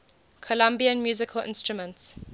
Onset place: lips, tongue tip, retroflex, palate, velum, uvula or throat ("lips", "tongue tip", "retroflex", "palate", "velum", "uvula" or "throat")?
velum